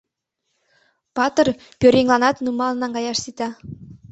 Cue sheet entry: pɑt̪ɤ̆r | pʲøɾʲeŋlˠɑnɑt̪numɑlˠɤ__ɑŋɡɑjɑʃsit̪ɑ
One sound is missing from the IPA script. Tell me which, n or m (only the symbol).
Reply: n